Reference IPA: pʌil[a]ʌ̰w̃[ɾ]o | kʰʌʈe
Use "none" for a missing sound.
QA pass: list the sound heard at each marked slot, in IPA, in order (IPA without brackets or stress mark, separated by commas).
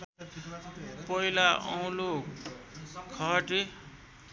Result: a, l